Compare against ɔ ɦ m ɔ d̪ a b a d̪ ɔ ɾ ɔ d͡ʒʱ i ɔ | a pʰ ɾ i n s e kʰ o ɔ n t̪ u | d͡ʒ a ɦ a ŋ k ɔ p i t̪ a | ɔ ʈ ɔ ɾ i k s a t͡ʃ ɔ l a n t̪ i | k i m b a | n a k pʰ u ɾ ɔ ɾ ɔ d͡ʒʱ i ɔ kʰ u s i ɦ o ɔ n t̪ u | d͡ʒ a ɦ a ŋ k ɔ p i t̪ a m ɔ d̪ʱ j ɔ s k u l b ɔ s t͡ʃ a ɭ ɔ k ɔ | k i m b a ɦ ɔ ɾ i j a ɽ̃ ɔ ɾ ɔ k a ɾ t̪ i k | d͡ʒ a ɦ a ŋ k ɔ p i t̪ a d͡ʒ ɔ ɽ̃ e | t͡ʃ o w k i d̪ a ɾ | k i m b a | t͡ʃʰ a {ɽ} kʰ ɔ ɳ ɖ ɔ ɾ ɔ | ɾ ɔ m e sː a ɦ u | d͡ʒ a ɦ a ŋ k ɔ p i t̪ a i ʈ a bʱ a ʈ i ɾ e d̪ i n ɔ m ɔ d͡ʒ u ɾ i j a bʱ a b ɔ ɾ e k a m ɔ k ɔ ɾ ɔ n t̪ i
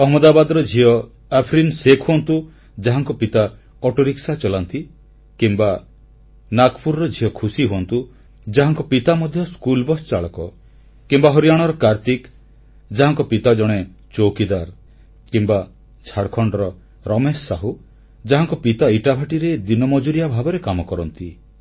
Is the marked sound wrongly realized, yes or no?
no